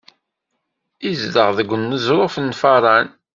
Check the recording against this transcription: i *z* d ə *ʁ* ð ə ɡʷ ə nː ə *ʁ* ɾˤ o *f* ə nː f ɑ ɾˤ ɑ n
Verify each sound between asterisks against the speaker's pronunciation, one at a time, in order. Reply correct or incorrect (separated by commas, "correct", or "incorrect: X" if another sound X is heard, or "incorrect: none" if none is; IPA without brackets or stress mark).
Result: correct, correct, incorrect: z, correct